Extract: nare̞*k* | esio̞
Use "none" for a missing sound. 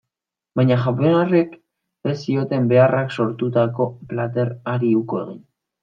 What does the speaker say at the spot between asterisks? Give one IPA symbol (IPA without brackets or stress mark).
k